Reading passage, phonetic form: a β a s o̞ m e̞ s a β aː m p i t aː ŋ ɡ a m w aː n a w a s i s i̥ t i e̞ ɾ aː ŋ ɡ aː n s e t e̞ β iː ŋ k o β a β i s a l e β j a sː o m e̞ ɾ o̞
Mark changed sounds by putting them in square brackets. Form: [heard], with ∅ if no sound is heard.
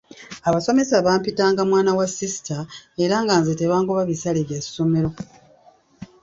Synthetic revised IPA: a β a s o̞ m e̞ s a β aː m p i t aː ŋ ɡ a m w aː n a w a s i s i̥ t [a] e̞ ɾ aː ŋ ɡ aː n [z] e t e̞ β [aː] ŋ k o β a β i s a l e β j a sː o m e̞ ɾ o̞